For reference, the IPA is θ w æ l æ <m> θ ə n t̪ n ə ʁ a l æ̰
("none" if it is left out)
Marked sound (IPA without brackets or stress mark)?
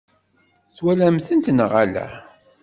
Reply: m